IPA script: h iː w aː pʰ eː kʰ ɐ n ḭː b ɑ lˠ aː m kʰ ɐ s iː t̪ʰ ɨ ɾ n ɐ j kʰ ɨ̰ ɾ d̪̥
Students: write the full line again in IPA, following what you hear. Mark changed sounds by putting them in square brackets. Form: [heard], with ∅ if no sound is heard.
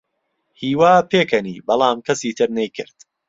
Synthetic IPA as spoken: h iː w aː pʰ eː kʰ ɐ n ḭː b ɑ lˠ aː m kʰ ɐ s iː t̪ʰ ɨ ɾ n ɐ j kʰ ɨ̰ ɾ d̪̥